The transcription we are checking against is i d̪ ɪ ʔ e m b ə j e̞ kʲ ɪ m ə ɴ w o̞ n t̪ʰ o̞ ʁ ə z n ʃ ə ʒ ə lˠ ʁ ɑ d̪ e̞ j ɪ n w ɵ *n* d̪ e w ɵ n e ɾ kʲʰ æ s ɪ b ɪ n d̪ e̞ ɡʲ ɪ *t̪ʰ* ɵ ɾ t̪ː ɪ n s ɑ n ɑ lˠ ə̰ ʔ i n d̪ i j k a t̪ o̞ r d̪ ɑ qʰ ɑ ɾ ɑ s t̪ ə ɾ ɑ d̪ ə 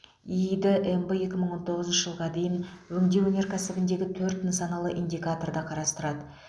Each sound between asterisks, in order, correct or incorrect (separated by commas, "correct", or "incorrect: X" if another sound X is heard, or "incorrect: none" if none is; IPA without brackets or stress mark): incorrect: ŋ, correct